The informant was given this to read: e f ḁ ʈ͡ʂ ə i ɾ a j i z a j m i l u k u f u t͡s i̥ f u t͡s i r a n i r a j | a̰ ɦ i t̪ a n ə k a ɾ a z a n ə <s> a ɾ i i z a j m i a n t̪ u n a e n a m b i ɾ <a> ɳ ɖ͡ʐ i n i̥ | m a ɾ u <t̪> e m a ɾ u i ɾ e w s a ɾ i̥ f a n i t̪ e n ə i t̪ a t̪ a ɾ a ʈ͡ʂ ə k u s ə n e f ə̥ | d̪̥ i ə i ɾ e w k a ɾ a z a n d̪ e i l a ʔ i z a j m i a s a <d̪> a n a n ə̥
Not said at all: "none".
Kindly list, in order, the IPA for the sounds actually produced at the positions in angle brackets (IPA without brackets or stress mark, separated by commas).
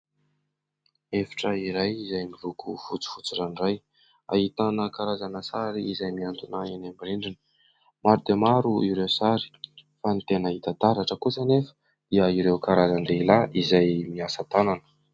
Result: s, i, d̪, t̪